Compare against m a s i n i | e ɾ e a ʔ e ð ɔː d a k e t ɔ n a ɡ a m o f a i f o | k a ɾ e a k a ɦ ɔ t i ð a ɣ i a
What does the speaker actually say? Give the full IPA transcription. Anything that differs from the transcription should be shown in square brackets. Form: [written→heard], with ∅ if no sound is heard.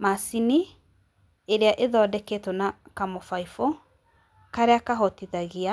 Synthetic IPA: m a s i n i | e ɾ e a ʔ e ð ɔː d [a→ɛ] k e t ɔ n a [ɡ→k] a m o f a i f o | k a ɾ e a k a ɦ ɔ t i ð a ɣ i a